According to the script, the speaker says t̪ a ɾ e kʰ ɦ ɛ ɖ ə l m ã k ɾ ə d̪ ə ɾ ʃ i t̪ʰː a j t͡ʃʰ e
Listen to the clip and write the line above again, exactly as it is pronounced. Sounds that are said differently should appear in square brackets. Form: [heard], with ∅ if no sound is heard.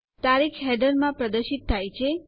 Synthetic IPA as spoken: t̪ a ɾ [i] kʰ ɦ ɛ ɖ ə [ɾ] m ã [p] ɾ ə d̪ ə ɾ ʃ i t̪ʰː a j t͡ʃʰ e

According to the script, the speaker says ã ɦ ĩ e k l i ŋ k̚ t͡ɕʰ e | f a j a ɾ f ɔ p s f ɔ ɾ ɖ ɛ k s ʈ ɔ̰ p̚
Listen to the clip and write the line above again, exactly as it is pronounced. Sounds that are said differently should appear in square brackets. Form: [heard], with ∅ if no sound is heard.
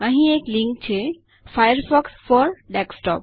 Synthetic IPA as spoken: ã ɦ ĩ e k l i ŋ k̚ t͡ɕʰ e | f a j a ɾ f ɔ [k] s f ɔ ɾ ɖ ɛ k s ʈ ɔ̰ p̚

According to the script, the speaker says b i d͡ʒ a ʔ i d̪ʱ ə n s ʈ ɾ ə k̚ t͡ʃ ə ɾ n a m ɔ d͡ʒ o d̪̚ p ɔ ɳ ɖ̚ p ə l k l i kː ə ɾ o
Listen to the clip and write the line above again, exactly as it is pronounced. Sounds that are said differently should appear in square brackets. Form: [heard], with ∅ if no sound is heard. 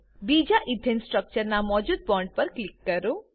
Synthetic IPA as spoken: b i d͡ʒ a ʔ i d̪ʱ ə n s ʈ ɾ ə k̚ t͡ʃ ə ɾ n a m ɔ d͡ʒ [u] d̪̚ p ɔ ɳ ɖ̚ p ə [ɾ] k l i kː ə ɾ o

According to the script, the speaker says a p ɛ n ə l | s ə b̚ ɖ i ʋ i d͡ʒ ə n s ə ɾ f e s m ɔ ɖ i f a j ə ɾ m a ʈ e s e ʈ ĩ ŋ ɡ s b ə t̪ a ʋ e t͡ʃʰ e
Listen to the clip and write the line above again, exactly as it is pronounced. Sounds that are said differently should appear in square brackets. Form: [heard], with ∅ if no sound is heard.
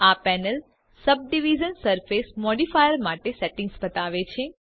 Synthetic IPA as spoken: a p ɛ n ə l | s ə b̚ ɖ i ʋ i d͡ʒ ə n s ə ɾ f e s m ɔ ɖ i f a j ə ɾ m a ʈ e s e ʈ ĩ ŋ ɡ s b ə t̪ a ʋ e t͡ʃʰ e

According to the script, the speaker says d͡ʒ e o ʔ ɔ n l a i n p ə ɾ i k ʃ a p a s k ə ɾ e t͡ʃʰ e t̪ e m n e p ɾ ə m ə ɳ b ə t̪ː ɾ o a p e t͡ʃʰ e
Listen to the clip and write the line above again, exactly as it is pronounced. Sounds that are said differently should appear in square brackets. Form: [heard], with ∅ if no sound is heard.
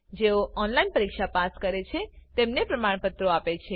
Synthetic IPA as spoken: d͡ʒ e o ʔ ɔ n l a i n p ə ɾ i k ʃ a p a s k ə ɾ e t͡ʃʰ e t̪ e m n e p ɾ ə m [a] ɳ [p] ə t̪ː ɾ o a p e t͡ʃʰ e

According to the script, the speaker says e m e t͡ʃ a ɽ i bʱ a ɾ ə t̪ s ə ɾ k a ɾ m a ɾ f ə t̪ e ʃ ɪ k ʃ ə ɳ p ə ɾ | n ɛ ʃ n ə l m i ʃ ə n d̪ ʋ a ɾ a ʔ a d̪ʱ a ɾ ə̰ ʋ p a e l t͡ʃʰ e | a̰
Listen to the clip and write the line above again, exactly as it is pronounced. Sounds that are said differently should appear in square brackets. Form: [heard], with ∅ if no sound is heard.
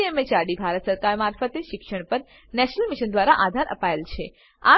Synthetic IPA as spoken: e m e t͡ʃ a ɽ i bʱ a ɾ ə t̪ s ə ɾ k a ɾ m a ɾ f ə t̪ e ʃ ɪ k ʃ ə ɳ p ə ɾ | n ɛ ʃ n ə l m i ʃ ə n d̪ ʋ a ɾ a ʔ a d̪ʱ a ɾ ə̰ [∅] p a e l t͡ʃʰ e | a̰

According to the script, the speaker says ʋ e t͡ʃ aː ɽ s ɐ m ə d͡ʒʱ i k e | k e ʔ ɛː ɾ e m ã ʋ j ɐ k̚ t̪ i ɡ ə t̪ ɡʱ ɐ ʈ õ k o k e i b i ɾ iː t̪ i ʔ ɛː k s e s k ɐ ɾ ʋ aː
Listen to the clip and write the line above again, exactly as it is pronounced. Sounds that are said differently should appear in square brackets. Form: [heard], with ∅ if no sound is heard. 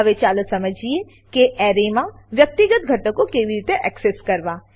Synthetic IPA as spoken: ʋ e t͡ʃ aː [l] s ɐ m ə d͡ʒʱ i [∅] e | k e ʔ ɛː ɾ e m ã ʋ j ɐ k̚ t̪ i ɡ ə t̪ ɡʱ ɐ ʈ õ k o k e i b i ɾ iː t̪ [e] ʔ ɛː k s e s k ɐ ɾ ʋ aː

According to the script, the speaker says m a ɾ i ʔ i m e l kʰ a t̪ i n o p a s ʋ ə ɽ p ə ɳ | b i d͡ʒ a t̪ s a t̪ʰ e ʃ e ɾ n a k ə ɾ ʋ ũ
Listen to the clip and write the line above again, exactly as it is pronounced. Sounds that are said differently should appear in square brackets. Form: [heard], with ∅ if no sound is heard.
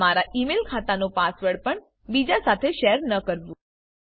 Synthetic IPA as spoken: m a ɾ [a] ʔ i m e l kʰ a t̪ [a] n o p a s ʋ ə ɽ p ə ɳ | b i d͡ʒ a [∅] s a t̪ʰ e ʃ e ɾ n [ə] k ə ɾ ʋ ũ

